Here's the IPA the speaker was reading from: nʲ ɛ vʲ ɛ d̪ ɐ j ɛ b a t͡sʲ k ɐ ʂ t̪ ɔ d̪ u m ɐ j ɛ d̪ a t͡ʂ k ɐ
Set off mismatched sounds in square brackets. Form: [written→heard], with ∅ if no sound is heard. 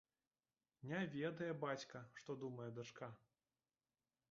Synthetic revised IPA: nʲ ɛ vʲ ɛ d̪ ɐ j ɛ b a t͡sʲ k ɐ ʂ t̪ ɔ d̪ u m ɐ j ɛ d̪ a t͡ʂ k [ɐ→a]